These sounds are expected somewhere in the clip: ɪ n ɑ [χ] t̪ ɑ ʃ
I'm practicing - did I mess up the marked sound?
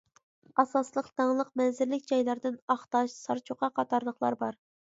no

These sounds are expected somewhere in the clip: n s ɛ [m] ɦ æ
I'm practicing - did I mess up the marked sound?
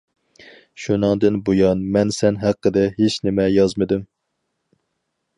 yes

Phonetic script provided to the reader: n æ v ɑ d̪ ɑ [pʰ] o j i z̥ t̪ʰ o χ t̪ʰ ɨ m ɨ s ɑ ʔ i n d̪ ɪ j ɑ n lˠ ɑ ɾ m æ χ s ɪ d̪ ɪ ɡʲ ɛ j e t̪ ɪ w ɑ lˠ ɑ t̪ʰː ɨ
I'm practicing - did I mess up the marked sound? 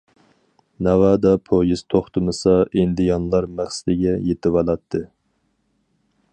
no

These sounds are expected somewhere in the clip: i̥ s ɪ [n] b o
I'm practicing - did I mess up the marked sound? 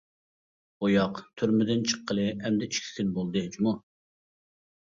no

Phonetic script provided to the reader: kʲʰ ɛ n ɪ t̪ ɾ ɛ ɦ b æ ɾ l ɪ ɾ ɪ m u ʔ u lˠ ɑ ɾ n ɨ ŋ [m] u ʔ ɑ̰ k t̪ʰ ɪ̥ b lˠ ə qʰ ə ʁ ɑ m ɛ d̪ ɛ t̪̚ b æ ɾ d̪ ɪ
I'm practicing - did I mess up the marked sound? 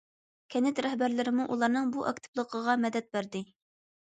yes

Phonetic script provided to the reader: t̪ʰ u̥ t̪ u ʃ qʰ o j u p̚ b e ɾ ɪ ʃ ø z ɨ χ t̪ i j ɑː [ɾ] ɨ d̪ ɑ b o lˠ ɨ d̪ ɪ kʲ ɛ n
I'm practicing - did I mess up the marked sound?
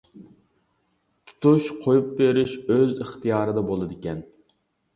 no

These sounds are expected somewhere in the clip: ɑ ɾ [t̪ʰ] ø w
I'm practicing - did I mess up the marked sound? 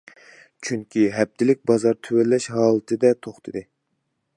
no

